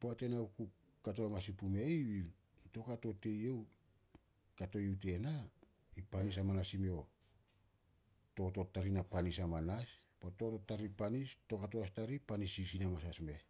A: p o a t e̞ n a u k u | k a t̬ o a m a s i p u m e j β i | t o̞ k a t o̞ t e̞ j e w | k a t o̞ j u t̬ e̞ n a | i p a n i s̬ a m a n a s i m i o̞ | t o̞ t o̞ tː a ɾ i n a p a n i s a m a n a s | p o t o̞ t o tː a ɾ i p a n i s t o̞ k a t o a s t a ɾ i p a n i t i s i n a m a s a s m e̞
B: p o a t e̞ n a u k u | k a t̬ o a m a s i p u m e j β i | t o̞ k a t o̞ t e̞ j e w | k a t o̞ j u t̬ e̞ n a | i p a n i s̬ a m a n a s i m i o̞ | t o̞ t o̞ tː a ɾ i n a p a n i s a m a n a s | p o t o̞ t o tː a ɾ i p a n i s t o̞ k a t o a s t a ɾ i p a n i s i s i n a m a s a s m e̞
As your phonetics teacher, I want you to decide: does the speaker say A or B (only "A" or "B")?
B